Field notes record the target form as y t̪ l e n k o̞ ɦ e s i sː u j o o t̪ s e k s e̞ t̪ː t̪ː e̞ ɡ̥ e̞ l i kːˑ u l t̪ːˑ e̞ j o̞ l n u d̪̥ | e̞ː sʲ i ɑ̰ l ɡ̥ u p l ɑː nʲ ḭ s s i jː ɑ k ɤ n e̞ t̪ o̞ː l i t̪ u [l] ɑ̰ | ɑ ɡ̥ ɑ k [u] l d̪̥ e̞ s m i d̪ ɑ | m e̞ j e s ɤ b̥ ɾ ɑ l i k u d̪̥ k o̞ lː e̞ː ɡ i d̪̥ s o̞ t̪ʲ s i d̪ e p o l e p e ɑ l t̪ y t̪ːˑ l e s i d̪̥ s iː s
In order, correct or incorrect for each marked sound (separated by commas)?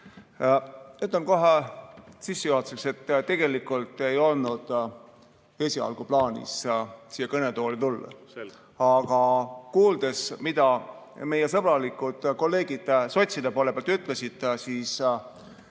incorrect, incorrect